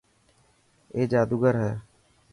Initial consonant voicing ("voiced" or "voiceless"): voiced